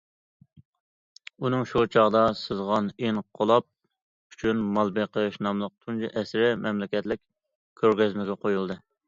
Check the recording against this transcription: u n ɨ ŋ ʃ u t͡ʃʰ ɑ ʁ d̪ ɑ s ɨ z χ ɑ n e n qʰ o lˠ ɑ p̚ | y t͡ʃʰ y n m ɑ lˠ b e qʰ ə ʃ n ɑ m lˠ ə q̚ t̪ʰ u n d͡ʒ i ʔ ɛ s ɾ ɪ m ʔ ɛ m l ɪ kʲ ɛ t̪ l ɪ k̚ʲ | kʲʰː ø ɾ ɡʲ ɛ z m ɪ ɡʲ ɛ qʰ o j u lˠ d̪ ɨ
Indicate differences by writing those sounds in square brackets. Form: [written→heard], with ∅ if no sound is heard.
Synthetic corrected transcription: u n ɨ ŋ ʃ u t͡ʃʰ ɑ ʁ d̪ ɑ s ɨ z [χ→ʁ] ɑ n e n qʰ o lˠ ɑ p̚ | y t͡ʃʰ y n m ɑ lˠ b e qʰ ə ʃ n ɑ m lˠ ə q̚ t̪ʰ u n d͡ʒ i ʔ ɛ s ɾ ɪ m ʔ ɛ m l ɪ kʲ ɛ t̪ l ɪ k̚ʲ | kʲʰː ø ɾ ɡʲ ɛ z m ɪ ɡʲ ɛ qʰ o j u lˠ d̪ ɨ